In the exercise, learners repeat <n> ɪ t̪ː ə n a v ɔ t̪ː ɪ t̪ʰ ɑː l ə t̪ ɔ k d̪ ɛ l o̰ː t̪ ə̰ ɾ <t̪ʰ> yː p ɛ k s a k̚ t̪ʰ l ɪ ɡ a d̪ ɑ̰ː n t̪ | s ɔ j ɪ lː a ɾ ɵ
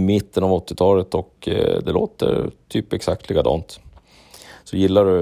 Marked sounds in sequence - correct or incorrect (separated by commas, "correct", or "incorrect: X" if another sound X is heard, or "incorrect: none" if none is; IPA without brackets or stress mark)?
incorrect: m, correct